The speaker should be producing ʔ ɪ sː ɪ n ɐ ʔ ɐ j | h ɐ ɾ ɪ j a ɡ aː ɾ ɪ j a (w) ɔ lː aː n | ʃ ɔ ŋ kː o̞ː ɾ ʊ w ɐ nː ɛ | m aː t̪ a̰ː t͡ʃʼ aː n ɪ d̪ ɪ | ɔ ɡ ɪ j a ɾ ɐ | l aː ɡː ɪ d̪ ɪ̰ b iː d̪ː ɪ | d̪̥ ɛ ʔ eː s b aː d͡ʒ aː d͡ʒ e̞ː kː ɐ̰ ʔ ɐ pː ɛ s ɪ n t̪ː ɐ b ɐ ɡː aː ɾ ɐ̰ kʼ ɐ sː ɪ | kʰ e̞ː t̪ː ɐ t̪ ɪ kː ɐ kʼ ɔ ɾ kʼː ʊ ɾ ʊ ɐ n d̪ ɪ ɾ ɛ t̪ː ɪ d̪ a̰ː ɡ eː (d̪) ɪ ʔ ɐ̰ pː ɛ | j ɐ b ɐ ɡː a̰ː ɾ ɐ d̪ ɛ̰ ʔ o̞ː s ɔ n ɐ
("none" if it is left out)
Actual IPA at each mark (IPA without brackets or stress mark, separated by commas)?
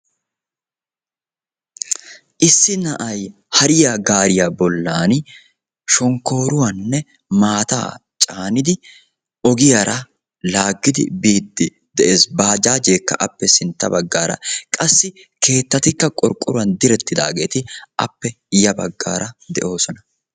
b, t̪